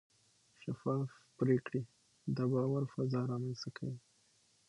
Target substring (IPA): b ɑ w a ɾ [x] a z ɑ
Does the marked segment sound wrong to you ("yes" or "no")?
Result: yes